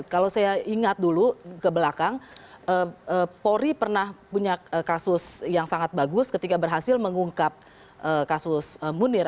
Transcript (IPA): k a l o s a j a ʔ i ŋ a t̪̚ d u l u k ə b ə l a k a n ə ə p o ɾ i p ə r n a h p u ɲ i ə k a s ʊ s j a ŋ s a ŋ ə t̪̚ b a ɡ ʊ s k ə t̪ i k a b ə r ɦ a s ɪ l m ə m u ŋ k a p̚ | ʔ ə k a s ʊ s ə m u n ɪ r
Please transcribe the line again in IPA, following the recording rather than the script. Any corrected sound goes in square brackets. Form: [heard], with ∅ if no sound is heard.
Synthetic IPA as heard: k a l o s a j a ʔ i ŋ a t̪̚ d u l u k ə b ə l a k a [ŋ] ə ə p o ɾ i p ə r n a h p u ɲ [a] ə k a s ʊ s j a ŋ s a ŋ [a] t̪̚ b a ɡ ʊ s k ə t̪ i k a b ə r ɦ a s ɪ l m ə [ŋ] u ŋ k a p̚ | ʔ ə k a s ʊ s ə m u n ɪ r